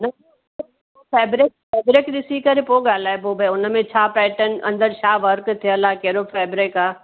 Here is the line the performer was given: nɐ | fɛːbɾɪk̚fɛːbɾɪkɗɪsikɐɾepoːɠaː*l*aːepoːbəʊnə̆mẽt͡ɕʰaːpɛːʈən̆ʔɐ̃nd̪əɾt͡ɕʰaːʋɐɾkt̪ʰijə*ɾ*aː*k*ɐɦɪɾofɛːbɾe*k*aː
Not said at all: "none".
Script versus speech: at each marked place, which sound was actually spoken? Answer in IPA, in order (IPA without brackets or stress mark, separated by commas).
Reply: l, l, k, k